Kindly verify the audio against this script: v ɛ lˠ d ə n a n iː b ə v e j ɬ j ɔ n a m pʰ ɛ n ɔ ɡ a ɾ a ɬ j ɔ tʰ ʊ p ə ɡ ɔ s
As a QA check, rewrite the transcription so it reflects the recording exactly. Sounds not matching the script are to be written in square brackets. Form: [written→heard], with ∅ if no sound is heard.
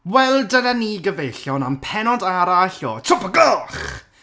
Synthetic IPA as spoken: [v→w] ɛ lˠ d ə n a n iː [b→ɡ] ə v e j ɬ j ɔ n a m pʰ ɛ n ɔ [ɡ→d] a ɾ a ɬ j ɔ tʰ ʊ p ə ɡ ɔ [s→χ]